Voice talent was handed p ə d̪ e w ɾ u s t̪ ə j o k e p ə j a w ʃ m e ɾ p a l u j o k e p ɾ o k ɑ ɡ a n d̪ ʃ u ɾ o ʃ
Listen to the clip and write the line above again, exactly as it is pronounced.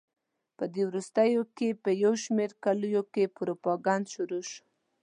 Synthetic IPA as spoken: p ə d̪ e w ɾ u s t̪ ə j o k e p ə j a w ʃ m e ɾ k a l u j o k e p ɾ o p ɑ ɡ a n d̪ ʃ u ɾ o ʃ